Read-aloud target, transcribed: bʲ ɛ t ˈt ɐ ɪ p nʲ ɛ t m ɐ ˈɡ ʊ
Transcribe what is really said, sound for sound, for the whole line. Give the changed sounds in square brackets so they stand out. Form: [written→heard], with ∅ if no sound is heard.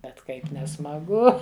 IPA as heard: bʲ ɛ t [ˈt→ˈk] ɐ ɪ p nʲ ɛ [t→s] m ɐ ˈɡ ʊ